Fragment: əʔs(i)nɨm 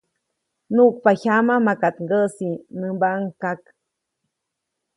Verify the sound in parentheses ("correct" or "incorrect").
correct